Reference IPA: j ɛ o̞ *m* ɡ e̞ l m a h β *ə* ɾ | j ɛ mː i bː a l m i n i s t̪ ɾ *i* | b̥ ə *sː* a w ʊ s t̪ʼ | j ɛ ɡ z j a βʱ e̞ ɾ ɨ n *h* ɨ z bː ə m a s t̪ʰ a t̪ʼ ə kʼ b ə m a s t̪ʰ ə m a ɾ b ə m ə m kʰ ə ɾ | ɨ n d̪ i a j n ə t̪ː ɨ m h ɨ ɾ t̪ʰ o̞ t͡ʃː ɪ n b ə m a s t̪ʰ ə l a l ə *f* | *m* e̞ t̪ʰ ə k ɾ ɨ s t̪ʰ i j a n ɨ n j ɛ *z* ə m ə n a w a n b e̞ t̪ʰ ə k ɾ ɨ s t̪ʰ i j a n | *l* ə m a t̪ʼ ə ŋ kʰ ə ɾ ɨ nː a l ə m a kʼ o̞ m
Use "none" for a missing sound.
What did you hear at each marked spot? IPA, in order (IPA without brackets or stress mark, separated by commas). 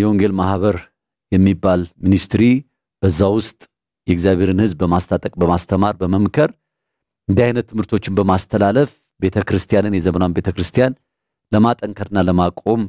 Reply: ŋ, ə, i, zː, h, f, b, z, l